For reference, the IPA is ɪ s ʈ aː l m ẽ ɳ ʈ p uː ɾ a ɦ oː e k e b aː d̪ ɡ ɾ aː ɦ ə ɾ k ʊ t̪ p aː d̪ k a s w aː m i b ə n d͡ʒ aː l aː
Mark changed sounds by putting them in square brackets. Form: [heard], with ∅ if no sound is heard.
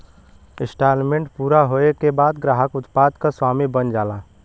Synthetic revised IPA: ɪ s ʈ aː l m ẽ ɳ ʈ p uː ɾ a ɦ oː e k e b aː d̪ ɡ ɾ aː ɦ ə [∅] k ʊ t̪ p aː d̪ k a s w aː m i b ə n d͡ʒ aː l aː